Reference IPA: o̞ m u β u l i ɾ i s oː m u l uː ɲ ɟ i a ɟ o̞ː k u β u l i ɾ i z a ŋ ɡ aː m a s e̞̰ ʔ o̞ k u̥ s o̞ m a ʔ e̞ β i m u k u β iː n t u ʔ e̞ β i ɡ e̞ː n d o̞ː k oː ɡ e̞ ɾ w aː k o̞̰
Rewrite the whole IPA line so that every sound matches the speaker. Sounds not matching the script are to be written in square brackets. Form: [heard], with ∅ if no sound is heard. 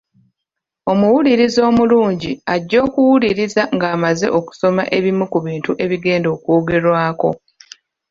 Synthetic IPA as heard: o̞ m u [w] u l i ɾ i [z] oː m u l uː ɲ ɟ i a [ɟː] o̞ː k u [w] u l i ɾ i z a ŋ ɡ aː m a [z] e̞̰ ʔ o̞ k u̥ s o̞ m a ʔ e̞ β i m u k u β iː n t u ʔ e̞ β i ɡ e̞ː n d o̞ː k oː ɡ e̞ ɾ w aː k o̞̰

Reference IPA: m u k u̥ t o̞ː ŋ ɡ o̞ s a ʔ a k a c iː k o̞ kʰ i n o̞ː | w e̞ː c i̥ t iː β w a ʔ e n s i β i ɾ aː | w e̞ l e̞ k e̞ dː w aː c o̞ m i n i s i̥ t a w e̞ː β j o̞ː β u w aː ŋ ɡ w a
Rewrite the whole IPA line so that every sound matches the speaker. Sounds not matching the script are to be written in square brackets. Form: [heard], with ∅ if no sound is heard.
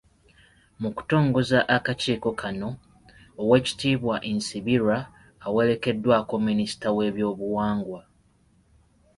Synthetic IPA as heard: m u k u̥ t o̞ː ŋ ɡ o̞ [z] a ʔ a k a c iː k o̞ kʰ [a] n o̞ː | w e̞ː c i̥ t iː β w a ʔ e n s i β i ɾ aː | w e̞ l e̞ k e̞ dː w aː [k] o̞ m i n i s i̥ t a w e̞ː β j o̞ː β u w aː ŋ ɡ w a

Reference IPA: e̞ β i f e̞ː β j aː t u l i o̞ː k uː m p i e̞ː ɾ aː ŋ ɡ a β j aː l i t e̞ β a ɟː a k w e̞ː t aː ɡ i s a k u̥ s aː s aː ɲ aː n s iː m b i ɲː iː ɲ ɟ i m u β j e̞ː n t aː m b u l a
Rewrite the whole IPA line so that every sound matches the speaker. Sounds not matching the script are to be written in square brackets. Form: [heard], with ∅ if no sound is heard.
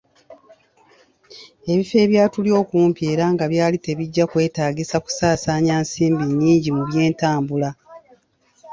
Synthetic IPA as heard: e̞ β i f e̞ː β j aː t u l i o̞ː k uː m p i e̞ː ɾ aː ŋ ɡ a β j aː l i t e̞ β [i] ɟː a k w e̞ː t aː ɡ i s a k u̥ s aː s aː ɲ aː n s iː m b i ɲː iː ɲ ɟ i m u β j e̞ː n t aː m b u l a

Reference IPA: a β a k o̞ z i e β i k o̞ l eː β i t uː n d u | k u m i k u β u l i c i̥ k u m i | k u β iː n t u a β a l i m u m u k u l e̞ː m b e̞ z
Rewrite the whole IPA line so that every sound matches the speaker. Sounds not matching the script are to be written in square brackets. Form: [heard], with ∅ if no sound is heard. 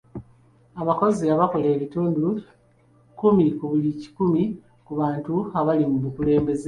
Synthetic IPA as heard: a β a k o̞ z i [a] β [a] k o̞ l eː β i t uː n d u | k u m i k u β u l i c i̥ k u m i | k u β [aː] n t u a β a l i m u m u k u l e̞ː m b e̞ z

